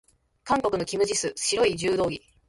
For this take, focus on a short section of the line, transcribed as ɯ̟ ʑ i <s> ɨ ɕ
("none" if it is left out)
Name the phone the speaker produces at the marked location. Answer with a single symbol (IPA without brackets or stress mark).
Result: s